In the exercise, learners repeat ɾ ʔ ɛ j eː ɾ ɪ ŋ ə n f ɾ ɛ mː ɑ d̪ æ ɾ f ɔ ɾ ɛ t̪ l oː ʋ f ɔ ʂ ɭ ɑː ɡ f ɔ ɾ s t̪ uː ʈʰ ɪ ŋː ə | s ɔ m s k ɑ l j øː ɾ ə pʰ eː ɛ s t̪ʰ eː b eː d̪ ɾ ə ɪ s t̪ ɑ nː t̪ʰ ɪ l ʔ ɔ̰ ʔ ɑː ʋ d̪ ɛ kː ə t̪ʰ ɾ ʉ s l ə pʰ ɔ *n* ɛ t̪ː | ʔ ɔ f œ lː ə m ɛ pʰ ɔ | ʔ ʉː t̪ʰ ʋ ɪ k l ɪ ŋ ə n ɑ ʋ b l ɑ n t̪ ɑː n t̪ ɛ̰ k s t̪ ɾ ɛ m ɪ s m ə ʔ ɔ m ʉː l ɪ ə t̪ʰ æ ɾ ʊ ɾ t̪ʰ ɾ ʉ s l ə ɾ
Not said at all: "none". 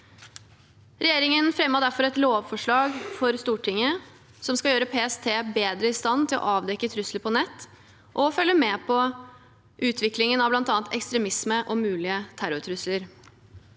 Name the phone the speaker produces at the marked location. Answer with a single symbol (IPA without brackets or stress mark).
n